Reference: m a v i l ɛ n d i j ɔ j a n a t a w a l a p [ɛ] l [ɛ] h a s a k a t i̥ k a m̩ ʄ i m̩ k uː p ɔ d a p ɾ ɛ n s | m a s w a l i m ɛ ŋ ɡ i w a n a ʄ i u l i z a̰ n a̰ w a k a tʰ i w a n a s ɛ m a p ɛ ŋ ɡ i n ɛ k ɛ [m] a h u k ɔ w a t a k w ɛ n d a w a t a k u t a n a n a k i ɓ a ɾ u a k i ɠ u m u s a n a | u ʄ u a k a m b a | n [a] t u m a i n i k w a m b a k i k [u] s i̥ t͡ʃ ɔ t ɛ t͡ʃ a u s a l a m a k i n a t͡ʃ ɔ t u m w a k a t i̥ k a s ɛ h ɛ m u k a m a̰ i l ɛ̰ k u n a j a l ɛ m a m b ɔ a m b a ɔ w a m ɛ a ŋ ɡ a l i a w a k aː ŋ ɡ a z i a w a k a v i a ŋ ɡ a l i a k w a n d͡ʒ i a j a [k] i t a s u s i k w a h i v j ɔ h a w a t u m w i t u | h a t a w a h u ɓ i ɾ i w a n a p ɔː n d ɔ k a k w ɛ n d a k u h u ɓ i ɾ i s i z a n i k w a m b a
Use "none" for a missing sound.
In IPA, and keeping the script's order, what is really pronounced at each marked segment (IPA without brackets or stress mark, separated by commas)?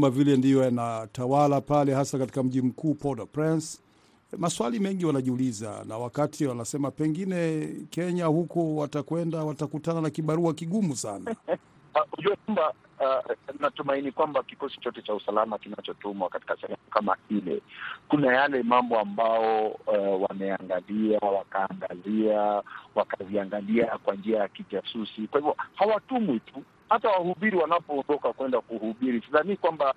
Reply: a, ɛ, ɲ, a, ɔ, k